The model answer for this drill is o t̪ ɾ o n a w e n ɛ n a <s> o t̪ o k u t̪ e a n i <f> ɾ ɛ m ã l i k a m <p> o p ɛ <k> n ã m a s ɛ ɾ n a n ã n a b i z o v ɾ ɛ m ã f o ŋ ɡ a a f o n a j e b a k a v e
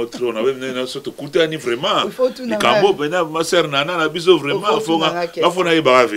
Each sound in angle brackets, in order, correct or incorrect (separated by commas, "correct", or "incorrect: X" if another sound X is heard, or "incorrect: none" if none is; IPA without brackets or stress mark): correct, incorrect: v, incorrect: b, incorrect: none